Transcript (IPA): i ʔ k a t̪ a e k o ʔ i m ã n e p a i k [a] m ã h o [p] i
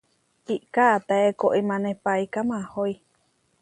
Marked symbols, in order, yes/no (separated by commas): yes, no